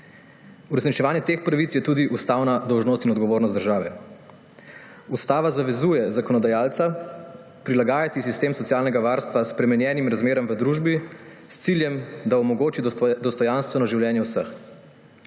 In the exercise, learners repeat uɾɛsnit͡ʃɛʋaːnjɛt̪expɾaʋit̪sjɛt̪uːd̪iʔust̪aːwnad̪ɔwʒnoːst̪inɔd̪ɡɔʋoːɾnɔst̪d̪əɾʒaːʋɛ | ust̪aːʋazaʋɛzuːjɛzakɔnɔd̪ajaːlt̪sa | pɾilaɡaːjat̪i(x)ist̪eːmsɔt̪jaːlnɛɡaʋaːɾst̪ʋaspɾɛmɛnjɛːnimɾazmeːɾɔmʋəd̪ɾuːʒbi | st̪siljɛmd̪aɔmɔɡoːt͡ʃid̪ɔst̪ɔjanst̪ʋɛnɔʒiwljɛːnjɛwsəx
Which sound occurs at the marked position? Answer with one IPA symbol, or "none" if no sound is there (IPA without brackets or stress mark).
s